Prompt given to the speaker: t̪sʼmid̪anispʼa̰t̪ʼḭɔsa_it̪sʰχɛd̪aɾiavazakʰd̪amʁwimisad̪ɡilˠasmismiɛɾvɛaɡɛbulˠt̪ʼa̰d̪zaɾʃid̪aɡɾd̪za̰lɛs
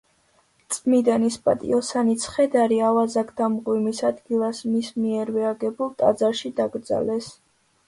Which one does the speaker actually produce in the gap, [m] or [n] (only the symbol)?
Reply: n